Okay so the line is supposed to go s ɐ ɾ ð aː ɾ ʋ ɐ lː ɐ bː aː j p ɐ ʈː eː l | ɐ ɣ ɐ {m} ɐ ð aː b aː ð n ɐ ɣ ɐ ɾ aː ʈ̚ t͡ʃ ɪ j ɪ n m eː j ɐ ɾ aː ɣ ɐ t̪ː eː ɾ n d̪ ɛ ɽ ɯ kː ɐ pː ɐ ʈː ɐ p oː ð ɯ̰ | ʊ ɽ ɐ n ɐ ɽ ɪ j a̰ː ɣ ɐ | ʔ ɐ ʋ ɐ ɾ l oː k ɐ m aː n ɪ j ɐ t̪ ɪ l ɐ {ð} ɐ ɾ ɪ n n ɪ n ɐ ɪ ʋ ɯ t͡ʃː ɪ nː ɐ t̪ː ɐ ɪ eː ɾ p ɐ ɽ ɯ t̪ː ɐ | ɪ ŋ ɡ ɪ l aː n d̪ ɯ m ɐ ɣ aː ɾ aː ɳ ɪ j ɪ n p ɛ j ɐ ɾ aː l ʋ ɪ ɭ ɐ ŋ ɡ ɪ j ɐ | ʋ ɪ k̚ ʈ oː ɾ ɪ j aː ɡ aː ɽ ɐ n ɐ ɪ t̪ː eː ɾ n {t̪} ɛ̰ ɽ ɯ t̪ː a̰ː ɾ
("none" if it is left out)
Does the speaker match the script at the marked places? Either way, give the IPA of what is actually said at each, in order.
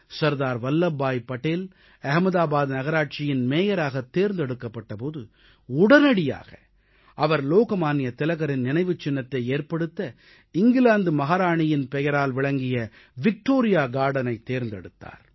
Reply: m, ɣ, d̪

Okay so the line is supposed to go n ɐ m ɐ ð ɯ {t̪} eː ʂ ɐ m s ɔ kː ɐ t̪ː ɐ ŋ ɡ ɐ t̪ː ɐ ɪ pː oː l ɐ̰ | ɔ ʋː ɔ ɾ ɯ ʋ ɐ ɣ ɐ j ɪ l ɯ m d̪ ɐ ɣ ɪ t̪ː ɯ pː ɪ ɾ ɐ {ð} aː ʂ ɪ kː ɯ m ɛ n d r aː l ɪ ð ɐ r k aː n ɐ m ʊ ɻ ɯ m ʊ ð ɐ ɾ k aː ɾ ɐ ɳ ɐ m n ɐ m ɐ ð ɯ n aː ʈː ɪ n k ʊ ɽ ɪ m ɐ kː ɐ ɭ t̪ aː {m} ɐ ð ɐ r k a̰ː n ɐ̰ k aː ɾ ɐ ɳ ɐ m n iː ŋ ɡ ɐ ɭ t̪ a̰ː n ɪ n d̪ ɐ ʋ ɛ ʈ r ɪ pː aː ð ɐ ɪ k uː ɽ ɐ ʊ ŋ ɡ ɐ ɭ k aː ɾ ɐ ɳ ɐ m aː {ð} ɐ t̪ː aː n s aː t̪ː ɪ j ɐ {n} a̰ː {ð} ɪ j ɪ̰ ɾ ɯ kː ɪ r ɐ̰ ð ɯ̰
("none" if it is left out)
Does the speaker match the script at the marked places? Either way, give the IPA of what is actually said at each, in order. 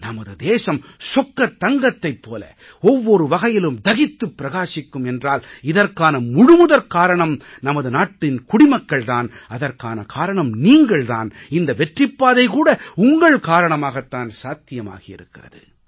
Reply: d̪, ɣ, n, ɣ, m, ɣ

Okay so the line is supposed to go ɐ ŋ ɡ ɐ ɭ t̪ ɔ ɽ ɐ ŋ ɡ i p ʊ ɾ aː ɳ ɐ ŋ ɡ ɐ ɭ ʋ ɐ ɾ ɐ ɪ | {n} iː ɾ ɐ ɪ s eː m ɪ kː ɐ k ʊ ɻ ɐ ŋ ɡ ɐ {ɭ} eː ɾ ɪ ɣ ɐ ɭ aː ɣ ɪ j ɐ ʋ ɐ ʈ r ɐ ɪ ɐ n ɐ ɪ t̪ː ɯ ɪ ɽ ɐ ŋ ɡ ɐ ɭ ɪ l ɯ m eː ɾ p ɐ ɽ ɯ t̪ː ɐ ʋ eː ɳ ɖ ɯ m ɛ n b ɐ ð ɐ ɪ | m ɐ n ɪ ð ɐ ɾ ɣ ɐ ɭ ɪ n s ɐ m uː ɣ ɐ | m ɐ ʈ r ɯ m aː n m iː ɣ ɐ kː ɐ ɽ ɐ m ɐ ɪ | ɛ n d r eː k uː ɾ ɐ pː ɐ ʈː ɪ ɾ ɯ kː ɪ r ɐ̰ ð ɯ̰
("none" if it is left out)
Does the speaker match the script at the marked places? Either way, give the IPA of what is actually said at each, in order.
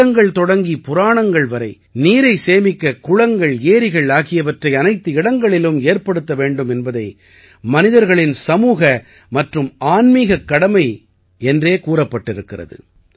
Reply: n, ɭ

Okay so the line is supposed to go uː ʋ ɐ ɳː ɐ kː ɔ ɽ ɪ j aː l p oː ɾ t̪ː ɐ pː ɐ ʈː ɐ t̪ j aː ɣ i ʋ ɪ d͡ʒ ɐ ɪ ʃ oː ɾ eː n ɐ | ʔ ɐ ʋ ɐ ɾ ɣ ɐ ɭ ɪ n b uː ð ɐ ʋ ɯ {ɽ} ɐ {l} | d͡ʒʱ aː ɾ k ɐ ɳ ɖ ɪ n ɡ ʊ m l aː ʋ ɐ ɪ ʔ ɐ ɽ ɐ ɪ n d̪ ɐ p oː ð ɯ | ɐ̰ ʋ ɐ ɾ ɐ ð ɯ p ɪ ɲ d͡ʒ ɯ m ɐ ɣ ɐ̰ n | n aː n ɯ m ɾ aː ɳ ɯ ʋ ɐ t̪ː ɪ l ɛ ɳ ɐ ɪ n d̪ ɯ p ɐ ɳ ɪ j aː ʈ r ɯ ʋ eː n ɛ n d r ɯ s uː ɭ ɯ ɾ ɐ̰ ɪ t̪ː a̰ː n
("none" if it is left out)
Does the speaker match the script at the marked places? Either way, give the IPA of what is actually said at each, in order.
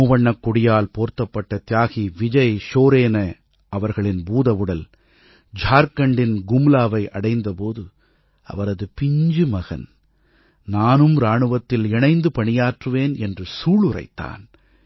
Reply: ɽ, l

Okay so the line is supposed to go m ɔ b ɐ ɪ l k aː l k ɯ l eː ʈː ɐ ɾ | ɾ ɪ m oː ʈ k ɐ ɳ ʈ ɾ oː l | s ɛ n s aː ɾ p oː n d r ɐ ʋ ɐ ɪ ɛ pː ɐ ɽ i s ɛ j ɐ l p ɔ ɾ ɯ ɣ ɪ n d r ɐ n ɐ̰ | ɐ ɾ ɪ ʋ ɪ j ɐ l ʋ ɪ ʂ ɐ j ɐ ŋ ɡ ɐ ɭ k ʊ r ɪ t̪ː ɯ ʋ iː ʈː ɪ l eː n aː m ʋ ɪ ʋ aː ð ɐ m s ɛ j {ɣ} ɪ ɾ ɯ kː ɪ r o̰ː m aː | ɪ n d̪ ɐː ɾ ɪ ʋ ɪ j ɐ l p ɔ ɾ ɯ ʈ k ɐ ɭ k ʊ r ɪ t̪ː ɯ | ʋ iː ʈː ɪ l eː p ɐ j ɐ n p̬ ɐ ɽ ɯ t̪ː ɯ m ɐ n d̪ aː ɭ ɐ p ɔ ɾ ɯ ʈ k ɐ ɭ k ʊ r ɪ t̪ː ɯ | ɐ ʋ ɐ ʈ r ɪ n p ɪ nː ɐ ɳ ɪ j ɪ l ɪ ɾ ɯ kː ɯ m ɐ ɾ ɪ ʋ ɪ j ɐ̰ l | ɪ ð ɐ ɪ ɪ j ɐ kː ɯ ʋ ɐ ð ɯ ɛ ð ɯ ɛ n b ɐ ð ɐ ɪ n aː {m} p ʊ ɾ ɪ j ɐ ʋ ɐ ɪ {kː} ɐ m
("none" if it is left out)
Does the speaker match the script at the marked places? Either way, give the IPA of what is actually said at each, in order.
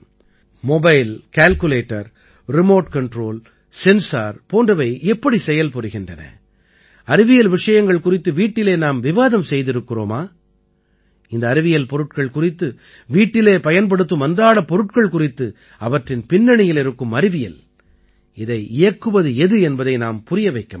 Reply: ð, m, kː

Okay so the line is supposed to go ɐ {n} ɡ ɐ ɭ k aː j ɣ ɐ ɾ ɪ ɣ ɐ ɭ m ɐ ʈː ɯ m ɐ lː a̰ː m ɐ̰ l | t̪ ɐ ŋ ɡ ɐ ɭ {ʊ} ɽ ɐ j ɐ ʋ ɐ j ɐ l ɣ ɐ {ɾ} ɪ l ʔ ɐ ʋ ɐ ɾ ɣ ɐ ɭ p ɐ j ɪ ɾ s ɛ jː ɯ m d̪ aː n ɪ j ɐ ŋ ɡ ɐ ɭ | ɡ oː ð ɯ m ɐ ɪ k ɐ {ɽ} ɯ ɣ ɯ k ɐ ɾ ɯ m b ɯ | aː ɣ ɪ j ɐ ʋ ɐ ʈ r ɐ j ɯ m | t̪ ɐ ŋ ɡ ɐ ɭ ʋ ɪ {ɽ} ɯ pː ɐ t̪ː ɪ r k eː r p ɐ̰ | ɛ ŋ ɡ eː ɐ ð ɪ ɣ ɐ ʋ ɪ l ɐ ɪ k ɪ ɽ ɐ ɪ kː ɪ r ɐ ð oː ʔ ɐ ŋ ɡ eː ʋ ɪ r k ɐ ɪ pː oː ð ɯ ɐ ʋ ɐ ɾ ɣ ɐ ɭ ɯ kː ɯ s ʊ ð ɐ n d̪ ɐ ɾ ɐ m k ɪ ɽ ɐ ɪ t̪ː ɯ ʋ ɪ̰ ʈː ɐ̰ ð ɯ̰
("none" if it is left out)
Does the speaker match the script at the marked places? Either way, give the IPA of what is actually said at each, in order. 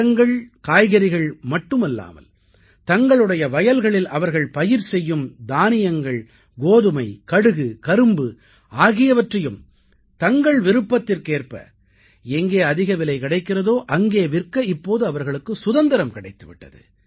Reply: ŋ, ɯ, ɭ, ɽ, ɾ

